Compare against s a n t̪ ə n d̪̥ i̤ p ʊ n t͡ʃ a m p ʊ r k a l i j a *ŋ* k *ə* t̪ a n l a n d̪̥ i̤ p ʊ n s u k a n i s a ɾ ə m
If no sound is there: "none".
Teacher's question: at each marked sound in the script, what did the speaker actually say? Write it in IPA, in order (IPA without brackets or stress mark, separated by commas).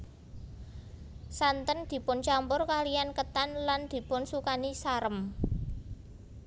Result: n, ə